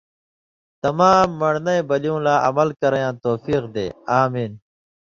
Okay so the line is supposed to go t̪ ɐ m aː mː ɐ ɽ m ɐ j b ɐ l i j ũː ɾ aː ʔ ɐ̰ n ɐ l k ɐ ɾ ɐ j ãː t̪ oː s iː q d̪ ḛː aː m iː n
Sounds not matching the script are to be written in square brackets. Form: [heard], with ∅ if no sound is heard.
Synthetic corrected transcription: t̪ ɐ m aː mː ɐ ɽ [n] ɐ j b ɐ l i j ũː [l] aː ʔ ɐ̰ [m] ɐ l k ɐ ɾ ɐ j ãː t̪ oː [f] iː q d̪ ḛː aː m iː n